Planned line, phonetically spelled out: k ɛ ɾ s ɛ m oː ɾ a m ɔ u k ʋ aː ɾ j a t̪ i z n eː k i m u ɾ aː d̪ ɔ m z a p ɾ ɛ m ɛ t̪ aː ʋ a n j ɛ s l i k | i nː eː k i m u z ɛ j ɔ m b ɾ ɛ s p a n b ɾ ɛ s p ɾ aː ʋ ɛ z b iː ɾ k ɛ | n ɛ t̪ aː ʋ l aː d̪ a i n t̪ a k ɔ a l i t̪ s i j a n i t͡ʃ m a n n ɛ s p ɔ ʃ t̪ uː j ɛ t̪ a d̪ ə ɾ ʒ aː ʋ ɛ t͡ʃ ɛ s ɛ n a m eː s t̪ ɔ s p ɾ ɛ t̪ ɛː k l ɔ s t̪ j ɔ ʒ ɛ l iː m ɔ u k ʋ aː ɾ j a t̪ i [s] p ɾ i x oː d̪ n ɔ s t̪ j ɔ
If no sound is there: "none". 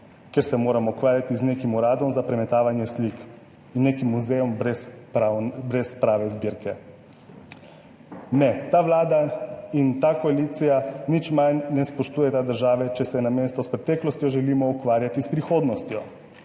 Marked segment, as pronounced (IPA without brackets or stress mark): s